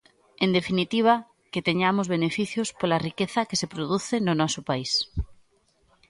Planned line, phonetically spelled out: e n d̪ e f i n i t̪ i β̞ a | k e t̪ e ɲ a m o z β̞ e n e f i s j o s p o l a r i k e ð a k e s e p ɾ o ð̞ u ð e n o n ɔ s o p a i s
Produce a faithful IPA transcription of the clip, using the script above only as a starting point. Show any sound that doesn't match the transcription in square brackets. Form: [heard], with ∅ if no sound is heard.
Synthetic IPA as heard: e n d̪ e f i n i t̪ i β̞ a | k e t̪ e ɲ a m o z β̞ e n e f i [θ] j o s p o l a r i k e [θ] a k e s e p ɾ o ð̞ u [θ] e n o n ɔ s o p a i s